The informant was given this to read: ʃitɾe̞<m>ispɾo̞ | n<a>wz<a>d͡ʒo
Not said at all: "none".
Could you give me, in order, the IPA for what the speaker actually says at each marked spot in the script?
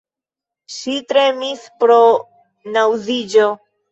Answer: m, a, i

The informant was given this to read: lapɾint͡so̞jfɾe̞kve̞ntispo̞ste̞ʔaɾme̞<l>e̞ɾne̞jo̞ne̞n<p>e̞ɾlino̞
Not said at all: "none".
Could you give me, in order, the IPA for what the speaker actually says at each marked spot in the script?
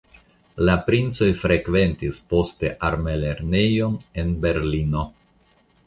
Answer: l, b

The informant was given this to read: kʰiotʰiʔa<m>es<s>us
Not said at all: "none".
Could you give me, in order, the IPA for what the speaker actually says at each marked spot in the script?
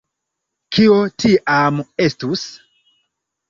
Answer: m, t

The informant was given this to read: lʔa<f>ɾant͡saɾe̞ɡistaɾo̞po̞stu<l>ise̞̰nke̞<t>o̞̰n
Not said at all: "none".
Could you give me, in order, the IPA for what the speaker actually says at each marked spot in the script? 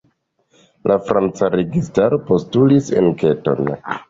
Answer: f, l, t

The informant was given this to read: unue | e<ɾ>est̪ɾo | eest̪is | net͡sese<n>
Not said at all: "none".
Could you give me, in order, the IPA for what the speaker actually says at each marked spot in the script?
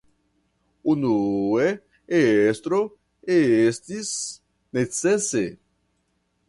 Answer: none, none

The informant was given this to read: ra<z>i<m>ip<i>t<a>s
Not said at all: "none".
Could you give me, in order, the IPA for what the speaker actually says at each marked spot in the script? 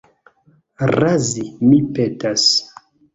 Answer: z, m, e, a

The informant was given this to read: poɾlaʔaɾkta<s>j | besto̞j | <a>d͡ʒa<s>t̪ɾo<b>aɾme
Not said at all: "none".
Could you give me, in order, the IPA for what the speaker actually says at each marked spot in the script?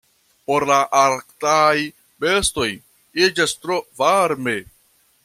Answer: none, i, s, v

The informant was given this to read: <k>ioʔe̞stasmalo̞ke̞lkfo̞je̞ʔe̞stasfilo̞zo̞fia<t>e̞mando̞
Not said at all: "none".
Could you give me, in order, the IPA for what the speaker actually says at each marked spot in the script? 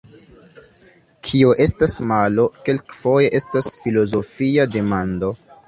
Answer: kʰ, d

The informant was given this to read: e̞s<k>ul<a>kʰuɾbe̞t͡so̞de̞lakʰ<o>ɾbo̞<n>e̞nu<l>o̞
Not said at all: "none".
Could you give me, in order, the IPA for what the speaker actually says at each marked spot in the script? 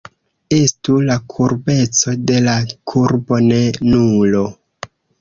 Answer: t, a, u, n, l

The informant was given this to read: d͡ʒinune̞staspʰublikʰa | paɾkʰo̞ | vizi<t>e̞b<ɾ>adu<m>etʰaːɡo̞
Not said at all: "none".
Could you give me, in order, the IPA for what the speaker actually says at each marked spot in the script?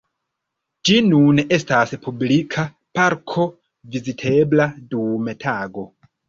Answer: tʰ, l, m

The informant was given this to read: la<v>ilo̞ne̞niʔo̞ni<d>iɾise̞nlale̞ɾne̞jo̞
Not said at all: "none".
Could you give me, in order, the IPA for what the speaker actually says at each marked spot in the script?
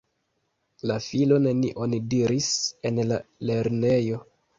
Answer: f, d

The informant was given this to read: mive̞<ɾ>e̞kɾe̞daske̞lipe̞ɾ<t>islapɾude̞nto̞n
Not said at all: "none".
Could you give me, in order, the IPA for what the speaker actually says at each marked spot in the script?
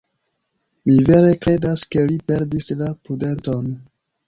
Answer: ɾ, d

